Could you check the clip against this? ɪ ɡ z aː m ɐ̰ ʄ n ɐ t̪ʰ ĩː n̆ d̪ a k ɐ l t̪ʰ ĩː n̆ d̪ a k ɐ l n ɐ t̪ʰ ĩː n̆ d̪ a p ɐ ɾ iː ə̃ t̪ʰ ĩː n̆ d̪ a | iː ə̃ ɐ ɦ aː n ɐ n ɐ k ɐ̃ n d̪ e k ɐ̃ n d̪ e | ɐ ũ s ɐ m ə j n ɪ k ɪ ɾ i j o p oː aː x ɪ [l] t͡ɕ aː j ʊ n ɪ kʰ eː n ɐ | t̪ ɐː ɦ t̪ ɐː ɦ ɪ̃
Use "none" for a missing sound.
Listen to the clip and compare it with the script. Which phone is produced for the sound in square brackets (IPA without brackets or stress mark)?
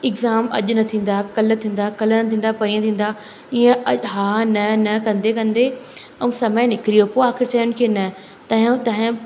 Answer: ɾ